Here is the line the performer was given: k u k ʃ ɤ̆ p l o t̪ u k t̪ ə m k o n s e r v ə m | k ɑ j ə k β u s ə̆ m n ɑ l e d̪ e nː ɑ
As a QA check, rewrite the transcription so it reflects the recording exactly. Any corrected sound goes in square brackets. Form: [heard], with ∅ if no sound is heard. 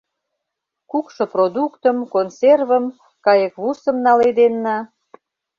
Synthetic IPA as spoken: k u k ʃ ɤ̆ p [r] o [d̪] u k t̪ ə m k o n s e r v ə m | k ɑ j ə k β u s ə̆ m n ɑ l e d̪ e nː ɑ